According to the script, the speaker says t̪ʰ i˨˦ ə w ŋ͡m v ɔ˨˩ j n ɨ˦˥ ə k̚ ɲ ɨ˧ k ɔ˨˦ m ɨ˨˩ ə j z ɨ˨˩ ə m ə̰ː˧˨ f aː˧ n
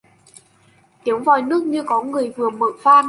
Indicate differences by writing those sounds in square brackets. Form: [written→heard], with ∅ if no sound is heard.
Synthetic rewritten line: [t̪ʰ→t̪] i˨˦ ə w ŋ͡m v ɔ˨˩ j n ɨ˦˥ ə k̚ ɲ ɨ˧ k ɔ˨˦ [m→ŋ] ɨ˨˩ ə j [z→v] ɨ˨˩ ə m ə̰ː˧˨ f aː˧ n